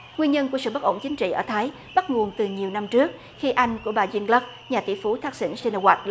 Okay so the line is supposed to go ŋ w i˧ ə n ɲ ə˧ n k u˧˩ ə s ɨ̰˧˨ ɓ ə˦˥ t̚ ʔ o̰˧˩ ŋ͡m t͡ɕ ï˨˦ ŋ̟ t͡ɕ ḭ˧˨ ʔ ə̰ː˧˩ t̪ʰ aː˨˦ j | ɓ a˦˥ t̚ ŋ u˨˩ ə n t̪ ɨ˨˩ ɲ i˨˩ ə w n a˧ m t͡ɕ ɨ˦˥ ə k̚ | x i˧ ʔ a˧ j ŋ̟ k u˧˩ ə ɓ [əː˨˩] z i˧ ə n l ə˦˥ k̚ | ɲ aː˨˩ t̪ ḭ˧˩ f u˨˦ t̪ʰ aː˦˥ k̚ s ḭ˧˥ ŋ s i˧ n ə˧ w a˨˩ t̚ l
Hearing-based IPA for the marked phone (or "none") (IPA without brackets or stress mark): aː˨˩